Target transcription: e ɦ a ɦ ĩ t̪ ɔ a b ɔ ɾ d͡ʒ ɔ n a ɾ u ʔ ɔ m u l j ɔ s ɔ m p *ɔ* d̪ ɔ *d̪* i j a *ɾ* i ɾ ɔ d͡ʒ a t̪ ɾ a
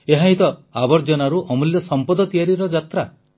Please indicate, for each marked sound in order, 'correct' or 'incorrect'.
correct, incorrect: t̪, correct

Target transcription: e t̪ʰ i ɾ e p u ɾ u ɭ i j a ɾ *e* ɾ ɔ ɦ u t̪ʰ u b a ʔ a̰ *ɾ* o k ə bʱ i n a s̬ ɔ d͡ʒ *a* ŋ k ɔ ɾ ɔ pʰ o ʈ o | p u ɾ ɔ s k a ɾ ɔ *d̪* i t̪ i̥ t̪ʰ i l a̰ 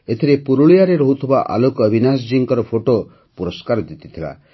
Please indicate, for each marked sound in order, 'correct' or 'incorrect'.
correct, incorrect: l, incorrect: i, correct

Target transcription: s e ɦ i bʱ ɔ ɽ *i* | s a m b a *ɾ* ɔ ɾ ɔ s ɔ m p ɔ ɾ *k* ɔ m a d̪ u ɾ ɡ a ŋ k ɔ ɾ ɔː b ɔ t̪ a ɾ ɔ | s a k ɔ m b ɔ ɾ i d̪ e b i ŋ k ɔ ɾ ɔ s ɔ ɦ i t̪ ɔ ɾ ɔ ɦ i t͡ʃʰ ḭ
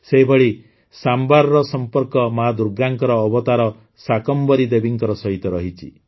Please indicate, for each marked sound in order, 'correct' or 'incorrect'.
correct, correct, correct

